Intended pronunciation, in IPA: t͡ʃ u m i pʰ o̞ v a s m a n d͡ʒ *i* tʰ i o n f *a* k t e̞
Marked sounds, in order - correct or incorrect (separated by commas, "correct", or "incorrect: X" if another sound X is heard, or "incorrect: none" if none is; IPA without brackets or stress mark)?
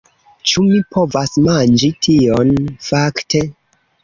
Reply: correct, correct